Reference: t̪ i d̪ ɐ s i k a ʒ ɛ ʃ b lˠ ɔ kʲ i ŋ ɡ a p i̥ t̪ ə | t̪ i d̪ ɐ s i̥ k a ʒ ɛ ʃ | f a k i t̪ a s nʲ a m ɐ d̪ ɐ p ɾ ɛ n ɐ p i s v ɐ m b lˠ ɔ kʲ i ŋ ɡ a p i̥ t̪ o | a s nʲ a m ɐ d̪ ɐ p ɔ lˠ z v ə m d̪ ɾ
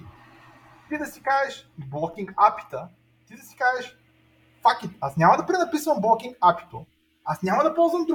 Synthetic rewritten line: t̪ i d̪ ɐ s i k a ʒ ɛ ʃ b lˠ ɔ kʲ i ŋ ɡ a p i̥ t̪ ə | t̪ i d̪ ɐ s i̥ k a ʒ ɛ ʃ | f a k i t̪ a s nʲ a m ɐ d̪ ɐ p ɾ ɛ n ɐ p i s v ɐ m b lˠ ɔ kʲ i ŋ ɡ a p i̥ t̪ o | a s nʲ a m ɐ d̪ ɐ p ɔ lˠ z v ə m d̪ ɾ